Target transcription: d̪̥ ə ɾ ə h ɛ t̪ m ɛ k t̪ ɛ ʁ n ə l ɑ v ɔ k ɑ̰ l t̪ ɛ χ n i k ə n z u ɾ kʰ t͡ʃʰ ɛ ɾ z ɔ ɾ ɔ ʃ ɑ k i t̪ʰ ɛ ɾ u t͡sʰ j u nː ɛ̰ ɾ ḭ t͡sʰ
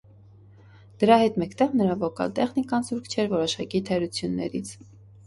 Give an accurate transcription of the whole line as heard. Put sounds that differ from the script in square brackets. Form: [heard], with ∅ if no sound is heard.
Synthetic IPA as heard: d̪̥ ə ɾ [ɑ] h ɛ t̪ m ɛ k t̪ ɛ ʁ n ə [ɾ] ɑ v ɔ k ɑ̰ l t̪ ɛ χ n i k [ɑ] n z u ɾ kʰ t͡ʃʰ ɛ ɾ [v] ɔ ɾ ɔ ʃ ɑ k i t̪ʰ ɛ ɾ u t͡sʰ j u nː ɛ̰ ɾ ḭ t͡sʰ